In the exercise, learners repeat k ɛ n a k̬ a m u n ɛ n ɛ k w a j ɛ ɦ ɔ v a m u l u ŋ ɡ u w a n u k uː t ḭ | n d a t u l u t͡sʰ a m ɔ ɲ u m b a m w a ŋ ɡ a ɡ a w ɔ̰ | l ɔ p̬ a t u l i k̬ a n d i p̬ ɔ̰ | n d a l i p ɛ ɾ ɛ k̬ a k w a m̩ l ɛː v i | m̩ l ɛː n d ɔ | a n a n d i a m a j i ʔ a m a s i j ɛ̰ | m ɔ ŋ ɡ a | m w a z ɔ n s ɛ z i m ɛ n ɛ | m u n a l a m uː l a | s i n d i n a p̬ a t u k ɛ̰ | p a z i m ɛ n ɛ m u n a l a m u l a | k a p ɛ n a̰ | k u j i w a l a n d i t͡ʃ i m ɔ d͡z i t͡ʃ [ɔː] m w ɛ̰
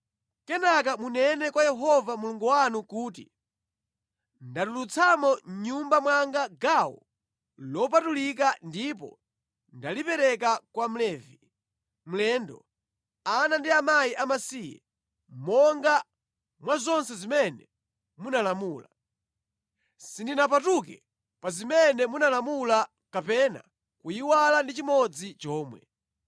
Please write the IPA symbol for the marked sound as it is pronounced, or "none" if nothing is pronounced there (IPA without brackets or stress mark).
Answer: ɔː